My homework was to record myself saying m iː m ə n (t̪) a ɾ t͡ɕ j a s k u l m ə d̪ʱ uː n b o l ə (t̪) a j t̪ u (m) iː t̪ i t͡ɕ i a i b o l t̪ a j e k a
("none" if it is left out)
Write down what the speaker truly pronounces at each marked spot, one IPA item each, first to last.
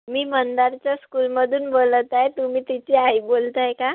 d̪, t̪, m

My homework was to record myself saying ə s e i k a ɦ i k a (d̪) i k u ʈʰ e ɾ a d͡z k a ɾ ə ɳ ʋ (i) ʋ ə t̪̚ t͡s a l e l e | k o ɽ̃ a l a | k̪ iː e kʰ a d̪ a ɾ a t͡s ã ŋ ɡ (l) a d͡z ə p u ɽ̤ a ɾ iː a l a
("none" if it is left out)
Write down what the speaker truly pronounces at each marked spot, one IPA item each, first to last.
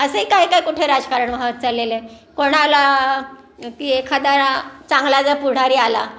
none, a, l

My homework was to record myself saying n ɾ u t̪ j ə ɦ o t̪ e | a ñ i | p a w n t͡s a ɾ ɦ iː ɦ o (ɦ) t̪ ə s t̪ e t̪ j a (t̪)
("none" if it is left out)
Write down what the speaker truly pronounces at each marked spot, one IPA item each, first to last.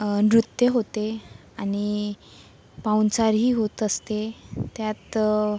none, t̪

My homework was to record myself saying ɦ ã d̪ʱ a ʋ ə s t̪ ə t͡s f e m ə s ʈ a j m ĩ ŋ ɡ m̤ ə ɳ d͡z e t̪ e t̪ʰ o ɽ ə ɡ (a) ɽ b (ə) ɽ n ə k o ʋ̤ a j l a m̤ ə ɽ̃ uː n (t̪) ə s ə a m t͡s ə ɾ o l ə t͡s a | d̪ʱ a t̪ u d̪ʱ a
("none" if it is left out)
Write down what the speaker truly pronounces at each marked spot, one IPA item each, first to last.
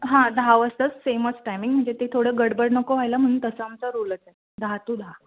ə, ə, t̪

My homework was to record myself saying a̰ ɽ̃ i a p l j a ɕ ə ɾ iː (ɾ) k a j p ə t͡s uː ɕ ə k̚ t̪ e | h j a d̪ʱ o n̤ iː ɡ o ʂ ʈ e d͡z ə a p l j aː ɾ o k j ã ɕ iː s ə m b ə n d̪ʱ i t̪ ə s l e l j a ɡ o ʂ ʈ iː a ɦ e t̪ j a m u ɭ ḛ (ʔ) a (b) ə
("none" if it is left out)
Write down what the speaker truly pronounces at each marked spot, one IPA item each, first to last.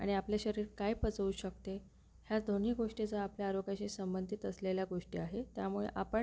ɾ, ʔ, p

